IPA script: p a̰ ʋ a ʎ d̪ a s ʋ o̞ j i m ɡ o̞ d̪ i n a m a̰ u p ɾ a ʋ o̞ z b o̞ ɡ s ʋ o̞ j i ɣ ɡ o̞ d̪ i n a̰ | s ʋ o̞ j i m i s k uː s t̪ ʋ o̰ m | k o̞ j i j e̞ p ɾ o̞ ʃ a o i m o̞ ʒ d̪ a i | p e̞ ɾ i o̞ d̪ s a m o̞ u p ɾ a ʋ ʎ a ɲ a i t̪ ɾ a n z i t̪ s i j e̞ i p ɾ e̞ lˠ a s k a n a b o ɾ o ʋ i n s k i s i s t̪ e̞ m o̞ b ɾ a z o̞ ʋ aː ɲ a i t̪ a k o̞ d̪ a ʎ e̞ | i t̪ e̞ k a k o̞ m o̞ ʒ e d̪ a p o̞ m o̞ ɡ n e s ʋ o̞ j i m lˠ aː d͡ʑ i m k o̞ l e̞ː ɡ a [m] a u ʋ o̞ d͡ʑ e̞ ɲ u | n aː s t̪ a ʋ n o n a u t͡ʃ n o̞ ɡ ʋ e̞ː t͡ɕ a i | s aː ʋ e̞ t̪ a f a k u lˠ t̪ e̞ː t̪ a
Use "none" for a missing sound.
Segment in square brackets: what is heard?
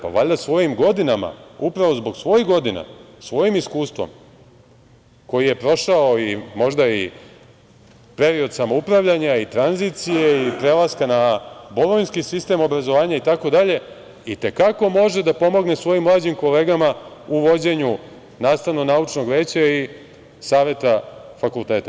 m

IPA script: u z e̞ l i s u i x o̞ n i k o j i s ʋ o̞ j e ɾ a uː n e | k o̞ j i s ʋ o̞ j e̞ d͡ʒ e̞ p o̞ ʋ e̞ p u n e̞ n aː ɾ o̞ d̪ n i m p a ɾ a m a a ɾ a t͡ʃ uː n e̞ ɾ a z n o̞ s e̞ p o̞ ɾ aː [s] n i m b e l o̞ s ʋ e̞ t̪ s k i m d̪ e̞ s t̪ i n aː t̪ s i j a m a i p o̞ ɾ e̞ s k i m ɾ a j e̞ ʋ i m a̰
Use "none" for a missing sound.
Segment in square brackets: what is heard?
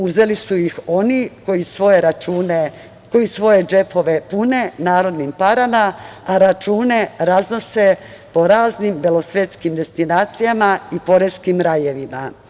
z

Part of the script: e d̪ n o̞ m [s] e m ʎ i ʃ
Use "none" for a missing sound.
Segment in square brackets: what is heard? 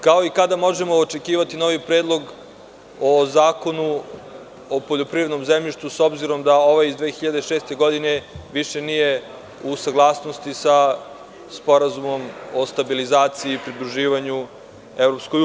z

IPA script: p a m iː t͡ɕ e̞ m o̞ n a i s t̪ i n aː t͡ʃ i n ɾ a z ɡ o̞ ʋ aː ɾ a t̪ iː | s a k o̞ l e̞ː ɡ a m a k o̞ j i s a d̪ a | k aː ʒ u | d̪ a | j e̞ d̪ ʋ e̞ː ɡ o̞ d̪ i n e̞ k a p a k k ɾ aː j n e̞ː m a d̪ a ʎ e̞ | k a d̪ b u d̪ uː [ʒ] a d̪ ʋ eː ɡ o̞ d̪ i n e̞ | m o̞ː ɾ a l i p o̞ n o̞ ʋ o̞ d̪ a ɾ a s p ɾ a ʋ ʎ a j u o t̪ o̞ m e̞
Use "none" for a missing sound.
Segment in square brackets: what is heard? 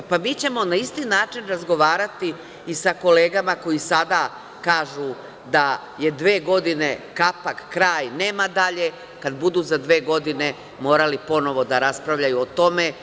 z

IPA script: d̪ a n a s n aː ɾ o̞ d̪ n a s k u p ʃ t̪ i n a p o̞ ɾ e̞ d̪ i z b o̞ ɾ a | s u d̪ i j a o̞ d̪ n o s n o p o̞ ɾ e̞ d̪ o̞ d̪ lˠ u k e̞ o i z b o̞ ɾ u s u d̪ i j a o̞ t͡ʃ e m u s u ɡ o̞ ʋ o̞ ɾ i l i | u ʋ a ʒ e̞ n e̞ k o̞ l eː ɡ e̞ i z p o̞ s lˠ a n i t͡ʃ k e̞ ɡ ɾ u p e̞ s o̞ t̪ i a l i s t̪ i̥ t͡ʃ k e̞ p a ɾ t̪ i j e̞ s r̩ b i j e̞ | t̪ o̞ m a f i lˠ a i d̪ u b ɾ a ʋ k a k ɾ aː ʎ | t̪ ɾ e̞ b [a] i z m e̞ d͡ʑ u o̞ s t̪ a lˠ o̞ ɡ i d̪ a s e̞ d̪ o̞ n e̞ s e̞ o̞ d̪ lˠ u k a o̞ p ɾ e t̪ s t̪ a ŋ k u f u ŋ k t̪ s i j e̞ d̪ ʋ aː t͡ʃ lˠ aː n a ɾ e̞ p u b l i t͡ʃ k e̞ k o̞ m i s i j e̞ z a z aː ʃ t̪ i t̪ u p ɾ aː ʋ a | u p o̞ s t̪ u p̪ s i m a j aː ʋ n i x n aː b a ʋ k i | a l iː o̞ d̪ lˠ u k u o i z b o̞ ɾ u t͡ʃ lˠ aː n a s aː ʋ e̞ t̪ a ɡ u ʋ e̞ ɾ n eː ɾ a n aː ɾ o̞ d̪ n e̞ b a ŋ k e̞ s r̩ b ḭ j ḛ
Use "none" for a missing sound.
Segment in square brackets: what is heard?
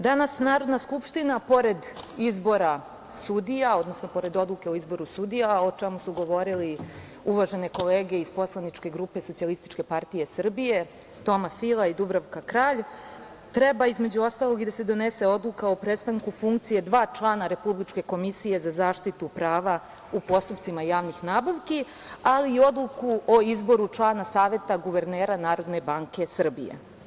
a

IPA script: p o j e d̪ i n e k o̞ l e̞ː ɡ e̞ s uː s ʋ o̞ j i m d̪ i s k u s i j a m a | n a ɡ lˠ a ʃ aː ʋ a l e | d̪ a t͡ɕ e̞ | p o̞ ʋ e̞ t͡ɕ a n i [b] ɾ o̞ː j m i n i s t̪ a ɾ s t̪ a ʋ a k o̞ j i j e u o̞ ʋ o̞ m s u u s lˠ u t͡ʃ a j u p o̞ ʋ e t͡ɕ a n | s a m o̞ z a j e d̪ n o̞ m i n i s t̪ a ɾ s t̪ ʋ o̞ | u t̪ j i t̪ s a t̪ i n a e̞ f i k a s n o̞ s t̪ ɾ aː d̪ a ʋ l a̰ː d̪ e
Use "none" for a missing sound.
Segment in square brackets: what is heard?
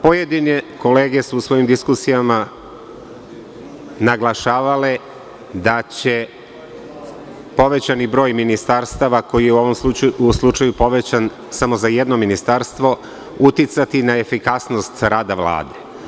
b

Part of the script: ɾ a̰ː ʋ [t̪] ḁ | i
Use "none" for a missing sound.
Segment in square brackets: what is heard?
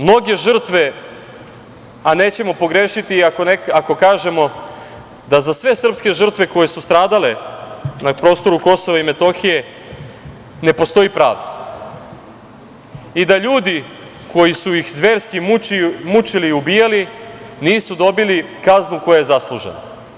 d̪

